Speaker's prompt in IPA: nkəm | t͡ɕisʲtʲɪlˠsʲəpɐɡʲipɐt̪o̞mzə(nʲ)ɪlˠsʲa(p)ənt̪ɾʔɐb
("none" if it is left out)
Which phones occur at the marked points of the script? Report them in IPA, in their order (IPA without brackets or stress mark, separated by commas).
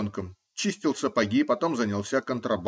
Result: nʲ, k